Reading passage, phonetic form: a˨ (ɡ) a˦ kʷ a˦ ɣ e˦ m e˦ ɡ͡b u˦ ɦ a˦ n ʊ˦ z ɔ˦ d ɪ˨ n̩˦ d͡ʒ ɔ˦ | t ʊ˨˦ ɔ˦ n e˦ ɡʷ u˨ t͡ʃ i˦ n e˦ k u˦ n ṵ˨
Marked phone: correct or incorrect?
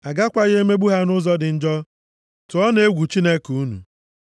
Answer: correct